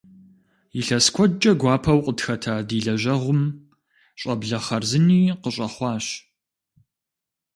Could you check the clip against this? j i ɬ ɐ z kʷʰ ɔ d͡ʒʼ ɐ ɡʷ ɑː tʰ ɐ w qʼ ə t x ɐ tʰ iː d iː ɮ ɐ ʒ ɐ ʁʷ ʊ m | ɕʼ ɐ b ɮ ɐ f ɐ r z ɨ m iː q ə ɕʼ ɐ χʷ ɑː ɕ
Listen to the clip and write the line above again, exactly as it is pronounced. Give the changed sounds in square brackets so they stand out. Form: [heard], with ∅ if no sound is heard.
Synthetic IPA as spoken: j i ɬ ɐ [s] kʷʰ ɔ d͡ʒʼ ɐ ɡʷ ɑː [pʰ] ɐ w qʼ ə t x ɐ tʰ [aː] d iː ɮ ɐ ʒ ɐ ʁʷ ʊ m | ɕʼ ɐ b ɮ ɐ [χ] ɐ r z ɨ [n] iː q ə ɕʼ ɐ χʷ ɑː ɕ